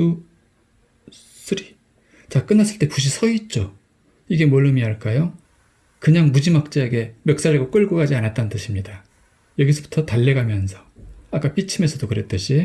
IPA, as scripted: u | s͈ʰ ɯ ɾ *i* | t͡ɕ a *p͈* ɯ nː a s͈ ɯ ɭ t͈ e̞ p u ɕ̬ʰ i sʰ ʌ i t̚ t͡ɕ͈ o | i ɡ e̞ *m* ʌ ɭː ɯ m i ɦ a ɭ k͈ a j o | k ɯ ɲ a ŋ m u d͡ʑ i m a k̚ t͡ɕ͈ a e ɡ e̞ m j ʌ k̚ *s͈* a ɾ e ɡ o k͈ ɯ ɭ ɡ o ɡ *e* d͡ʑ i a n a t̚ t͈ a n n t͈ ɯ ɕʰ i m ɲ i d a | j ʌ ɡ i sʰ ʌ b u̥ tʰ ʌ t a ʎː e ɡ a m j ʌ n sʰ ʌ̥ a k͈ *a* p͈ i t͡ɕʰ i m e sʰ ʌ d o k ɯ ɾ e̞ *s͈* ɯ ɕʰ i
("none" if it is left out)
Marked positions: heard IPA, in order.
i, k͈, m, s͈, a, a, t͈

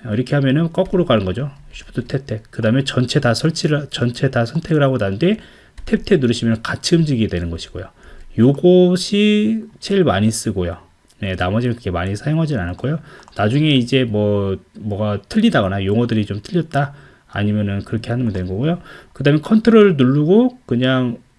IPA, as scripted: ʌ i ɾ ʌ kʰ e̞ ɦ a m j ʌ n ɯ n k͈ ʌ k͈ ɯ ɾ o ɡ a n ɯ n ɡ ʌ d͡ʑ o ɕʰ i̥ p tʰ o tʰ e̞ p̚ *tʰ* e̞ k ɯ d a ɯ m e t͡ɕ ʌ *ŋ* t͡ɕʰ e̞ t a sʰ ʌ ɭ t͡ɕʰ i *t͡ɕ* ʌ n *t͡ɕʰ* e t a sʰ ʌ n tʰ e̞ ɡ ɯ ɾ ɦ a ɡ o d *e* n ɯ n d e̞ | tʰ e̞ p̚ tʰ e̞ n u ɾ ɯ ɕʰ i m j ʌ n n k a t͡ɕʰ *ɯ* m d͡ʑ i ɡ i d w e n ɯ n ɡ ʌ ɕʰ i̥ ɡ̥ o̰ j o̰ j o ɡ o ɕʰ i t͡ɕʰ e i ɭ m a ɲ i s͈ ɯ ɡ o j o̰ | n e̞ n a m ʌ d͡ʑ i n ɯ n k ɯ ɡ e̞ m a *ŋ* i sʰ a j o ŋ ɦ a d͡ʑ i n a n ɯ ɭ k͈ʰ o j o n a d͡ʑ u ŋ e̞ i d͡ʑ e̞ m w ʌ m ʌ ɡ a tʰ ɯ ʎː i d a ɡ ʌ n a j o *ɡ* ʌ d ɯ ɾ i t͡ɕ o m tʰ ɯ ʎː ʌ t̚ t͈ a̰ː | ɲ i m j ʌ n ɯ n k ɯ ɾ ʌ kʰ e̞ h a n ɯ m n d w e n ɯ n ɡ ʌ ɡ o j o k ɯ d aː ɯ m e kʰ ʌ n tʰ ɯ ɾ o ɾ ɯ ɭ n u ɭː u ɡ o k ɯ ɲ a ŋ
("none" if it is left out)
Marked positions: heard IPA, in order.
tʰ, n, t͡ɕ, t͡ɕʰ, a, ɯ, ɲ, ŋ

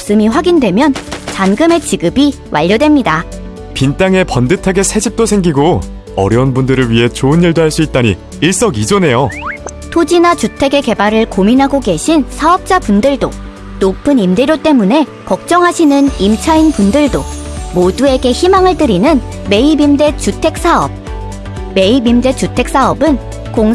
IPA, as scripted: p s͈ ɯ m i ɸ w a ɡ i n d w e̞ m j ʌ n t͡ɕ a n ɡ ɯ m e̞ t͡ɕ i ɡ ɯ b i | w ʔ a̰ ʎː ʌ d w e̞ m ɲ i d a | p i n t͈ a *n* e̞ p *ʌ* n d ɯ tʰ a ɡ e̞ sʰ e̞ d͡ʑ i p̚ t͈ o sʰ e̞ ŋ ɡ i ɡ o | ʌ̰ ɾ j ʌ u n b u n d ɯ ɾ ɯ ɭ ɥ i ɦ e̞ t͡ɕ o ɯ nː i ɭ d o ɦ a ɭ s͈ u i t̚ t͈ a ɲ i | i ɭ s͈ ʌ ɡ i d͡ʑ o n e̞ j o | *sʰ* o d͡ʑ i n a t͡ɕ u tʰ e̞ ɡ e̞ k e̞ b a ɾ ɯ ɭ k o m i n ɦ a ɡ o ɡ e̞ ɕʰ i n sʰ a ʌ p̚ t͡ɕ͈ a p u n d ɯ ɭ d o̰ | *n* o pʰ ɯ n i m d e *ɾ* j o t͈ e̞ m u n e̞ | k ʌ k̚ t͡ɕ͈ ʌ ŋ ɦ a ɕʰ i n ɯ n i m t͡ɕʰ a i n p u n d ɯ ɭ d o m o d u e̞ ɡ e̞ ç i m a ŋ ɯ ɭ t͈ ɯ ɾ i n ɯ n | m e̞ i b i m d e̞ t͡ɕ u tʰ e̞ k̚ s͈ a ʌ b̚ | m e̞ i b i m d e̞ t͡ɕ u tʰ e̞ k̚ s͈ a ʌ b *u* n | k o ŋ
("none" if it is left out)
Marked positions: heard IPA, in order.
ŋ, ʌ, tʰ, n, ɾ, ɯ

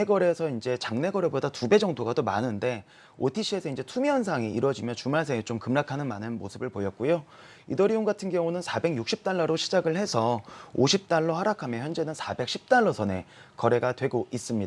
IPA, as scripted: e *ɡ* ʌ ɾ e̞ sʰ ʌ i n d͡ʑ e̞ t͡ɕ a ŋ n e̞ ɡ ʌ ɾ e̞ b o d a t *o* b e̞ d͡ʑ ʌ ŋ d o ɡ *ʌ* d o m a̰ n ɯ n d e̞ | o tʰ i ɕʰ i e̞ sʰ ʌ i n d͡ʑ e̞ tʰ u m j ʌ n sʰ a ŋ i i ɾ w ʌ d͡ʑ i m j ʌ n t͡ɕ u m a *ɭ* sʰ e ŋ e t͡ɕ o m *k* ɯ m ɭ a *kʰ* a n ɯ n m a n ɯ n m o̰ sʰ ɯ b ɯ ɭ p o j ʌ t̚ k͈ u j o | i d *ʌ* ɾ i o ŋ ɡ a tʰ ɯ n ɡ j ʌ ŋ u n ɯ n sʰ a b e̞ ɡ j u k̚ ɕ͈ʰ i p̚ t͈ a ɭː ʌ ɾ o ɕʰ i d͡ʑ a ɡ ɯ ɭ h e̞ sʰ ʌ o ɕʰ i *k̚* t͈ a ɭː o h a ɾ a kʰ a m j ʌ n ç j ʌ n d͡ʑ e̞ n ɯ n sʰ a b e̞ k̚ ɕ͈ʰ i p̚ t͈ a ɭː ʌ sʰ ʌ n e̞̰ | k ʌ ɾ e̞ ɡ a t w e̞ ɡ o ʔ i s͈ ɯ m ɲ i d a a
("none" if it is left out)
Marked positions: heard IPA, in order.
ɡ, u, a, ɭ, k, kʰ, ʌ, p̚

